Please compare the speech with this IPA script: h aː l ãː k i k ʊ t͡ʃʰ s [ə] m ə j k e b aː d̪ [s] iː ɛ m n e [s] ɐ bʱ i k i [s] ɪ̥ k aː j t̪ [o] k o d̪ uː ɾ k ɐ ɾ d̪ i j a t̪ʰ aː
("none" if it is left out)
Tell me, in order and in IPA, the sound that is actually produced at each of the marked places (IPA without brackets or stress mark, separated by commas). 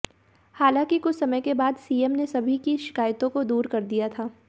ɐ, s, s, ʃ, õ